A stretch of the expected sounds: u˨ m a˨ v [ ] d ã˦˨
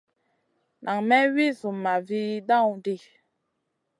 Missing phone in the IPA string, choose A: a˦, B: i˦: B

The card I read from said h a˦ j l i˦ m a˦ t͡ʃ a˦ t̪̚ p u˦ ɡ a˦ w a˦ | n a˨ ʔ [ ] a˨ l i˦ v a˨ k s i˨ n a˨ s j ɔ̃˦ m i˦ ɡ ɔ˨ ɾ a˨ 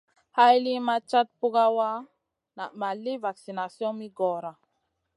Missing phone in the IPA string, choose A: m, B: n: A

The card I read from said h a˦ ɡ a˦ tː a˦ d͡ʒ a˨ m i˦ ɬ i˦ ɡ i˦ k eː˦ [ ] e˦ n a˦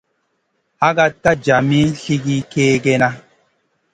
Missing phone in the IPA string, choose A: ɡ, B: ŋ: A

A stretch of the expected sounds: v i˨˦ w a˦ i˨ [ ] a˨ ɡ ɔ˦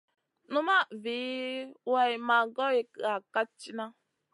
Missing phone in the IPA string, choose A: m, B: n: A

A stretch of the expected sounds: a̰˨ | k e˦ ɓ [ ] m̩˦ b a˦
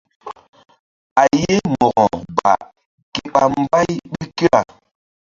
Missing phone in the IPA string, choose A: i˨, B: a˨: B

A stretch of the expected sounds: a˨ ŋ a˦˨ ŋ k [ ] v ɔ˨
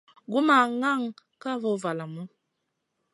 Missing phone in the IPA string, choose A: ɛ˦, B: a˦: B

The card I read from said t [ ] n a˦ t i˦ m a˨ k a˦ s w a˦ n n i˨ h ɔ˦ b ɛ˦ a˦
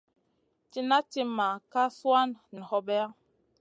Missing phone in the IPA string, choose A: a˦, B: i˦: B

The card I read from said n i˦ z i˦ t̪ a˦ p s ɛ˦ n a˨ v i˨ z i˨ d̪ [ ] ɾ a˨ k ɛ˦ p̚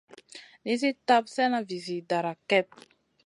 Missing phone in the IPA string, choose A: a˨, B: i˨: A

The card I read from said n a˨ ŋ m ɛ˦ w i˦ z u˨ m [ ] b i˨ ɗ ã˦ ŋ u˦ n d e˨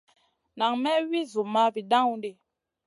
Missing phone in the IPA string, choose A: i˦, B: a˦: B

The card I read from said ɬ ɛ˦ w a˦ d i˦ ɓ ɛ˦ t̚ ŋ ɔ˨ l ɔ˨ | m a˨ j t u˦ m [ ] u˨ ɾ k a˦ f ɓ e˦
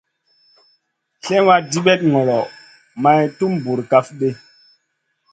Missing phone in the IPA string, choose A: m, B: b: B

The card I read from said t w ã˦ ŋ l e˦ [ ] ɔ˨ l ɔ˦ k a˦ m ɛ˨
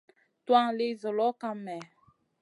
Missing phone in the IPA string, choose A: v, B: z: B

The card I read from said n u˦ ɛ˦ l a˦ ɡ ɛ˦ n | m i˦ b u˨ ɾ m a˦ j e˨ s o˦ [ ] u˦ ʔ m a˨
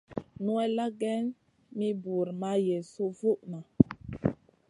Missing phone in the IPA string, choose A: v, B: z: A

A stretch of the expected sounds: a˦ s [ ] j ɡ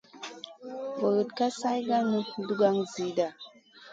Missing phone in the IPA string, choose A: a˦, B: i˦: A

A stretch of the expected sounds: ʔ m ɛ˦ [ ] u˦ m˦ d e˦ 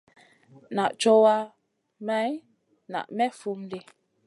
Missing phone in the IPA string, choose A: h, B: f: B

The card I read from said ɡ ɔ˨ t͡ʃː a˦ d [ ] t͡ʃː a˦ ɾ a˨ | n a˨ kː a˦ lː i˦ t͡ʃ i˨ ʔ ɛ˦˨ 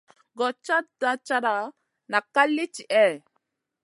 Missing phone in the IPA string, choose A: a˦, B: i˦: A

